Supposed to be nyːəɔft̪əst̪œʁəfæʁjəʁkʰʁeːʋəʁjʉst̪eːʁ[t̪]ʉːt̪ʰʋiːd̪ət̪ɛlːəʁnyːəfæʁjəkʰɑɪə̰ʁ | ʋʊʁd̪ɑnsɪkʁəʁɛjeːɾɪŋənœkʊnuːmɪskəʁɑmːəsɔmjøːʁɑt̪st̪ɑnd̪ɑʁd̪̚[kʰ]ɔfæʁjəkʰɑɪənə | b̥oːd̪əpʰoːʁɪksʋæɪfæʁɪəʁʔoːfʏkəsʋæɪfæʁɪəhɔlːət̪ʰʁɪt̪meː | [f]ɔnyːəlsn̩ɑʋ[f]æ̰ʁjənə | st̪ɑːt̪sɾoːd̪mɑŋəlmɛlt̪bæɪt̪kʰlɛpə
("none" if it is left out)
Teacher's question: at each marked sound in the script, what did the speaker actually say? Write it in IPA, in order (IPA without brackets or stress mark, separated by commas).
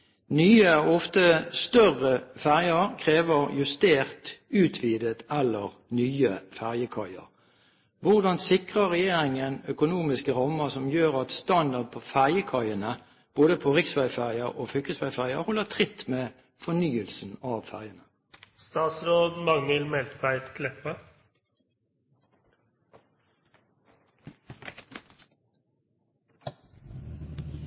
t̪, pʰ, f, f